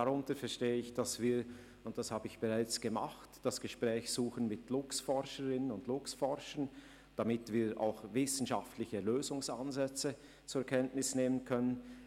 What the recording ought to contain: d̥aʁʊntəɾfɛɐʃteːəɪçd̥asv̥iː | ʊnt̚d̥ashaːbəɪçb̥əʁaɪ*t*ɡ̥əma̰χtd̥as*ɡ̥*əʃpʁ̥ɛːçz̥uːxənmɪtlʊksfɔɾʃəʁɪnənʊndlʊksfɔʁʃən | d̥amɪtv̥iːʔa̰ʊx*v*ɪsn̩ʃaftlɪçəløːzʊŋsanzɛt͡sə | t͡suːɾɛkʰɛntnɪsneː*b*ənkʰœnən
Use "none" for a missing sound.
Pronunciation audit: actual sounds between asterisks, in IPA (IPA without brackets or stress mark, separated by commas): t͡s, ɡ̥, v, m